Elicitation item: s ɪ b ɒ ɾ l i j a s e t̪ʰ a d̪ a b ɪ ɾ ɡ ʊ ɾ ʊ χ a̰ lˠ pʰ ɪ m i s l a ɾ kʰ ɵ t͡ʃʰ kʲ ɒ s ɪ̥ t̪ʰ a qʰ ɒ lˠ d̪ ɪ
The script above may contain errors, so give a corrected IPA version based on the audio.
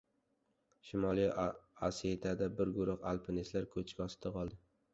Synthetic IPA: ʃ ɪ m ɒ l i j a s e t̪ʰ a d̪ a b ɪ ɾ ɡ ʊ ɾ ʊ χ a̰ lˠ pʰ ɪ n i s l a ɾ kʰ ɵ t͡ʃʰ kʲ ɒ s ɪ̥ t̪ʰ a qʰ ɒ lˠ d̪ ɪ